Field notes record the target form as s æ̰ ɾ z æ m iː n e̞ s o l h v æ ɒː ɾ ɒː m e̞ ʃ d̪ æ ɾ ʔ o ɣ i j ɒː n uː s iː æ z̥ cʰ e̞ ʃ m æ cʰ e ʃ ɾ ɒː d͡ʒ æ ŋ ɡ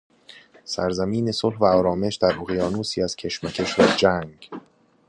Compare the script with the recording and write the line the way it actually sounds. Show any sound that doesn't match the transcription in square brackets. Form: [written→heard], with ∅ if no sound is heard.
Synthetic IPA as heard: s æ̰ ɾ z æ m iː n e̞ s o l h v æ ɒː ɾ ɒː m e̞ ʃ d̪ æ ɾ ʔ o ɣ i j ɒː n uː s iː æ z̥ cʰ e̞ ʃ m æ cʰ e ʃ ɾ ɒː d͡ʒ æ ŋ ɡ

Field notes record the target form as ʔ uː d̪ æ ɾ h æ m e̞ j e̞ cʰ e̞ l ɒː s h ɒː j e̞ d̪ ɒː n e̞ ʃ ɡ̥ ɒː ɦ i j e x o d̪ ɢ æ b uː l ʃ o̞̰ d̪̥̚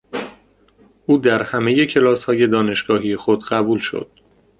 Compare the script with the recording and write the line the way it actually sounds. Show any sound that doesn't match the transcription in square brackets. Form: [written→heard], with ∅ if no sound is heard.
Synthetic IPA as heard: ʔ uː d̪ æ ɾ h æ m e̞ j e̞ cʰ e̞ l ɒː s h ɒː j e̞ d̪ ɒː n e̞ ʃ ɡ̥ ɒː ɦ i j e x o d̪ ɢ æ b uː l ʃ o̞̰ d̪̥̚

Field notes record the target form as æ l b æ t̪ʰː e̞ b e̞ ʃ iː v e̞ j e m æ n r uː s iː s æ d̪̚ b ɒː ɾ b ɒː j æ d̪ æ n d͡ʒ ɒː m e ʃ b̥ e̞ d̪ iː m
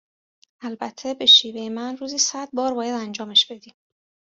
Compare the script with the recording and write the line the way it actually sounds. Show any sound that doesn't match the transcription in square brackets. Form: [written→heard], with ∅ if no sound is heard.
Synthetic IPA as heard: æ l b æ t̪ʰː e̞ b e̞ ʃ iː v e̞ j e m æ n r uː [s→z] iː s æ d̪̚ b ɒː ɾ b ɒː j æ d̪ æ n d͡ʒ ɒː m e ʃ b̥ e̞ d̪ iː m

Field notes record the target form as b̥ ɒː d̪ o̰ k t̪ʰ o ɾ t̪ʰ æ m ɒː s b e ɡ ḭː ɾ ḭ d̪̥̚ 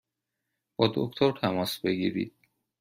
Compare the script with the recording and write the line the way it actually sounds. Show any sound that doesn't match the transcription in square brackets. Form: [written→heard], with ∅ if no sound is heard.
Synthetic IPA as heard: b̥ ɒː d̪ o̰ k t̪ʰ o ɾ t̪ʰ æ m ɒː s b e ɡ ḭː ɾ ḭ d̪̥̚

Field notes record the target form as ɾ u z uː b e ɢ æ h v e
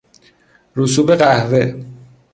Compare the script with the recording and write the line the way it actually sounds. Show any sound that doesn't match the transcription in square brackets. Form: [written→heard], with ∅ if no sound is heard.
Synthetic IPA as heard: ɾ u [z→s] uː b e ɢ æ h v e

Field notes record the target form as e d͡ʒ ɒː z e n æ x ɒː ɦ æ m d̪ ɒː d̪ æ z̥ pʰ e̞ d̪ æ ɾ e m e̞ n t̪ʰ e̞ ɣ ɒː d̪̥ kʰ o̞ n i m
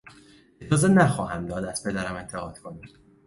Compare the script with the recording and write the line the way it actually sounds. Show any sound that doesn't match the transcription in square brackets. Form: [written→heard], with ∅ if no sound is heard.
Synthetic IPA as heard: e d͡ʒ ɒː z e n æ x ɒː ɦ æ m d̪ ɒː d̪ æ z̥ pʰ e̞ d̪ æ ɾ [e→æ] m e̞ n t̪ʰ e̞ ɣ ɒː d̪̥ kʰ o̞ n i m

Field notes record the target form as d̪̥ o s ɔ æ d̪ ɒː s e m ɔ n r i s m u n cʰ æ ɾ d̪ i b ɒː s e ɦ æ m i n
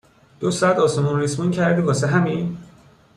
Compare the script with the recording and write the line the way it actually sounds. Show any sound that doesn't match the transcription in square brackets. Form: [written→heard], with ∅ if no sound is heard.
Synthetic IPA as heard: d̪̥ o s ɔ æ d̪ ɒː s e m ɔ n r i s m u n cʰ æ ɾ d̪ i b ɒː s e ɦ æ m i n

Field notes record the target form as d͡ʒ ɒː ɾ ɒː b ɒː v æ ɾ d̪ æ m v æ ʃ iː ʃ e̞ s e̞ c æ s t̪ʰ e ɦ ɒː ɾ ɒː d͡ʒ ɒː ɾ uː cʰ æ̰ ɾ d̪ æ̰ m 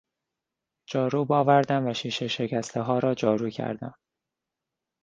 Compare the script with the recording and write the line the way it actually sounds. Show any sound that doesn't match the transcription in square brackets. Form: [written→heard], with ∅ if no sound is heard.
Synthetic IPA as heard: d͡ʒ ɒː ɾ [ɒː→uː] b ɒː v æ ɾ d̪ æ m v æ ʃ iː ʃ e̞ [s→ʃ] e̞ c æ s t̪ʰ e ɦ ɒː ɾ ɒː d͡ʒ ɒː ɾ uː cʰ æ̰ ɾ d̪ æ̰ m

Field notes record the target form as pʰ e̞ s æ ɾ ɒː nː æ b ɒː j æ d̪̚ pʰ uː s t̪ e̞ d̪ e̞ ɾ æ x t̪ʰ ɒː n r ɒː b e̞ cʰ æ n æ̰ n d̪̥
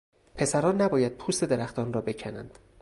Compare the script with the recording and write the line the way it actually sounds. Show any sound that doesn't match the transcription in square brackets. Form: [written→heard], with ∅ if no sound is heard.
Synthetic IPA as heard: pʰ e̞ s æ ɾ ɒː nː æ b ɒː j æ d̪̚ pʰ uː s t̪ e̞ d̪ e̞ ɾ æ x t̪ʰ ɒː n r ɒː b e̞ cʰ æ n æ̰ n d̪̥

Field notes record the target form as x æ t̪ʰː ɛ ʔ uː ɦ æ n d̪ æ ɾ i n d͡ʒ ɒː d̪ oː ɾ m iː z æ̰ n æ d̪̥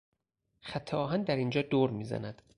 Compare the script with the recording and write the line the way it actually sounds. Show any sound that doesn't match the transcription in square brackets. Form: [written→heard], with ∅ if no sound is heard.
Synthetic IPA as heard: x æ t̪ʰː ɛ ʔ [uː→ɒː] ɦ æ n d̪ æ ɾ i n d͡ʒ ɒː d̪ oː ɾ m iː z æ̰ n æ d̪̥

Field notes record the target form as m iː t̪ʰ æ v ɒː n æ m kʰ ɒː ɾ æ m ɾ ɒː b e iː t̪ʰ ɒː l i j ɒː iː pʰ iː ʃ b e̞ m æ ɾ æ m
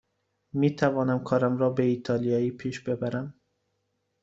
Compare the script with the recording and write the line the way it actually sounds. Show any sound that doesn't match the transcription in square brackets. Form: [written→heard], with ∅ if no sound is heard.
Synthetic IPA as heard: m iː t̪ʰ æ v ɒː n æ m kʰ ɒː ɾ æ m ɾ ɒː b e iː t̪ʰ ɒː l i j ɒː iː pʰ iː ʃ b e̞ [m→b] æ ɾ æ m

